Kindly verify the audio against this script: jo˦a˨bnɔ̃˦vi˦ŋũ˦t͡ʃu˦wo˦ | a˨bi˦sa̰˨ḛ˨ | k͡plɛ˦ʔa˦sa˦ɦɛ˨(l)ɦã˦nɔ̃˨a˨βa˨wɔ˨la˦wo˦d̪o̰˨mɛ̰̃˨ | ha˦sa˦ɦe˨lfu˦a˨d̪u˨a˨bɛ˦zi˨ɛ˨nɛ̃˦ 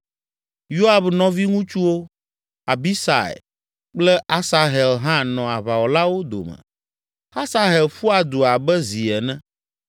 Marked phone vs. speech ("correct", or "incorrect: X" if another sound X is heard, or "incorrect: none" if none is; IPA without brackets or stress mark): correct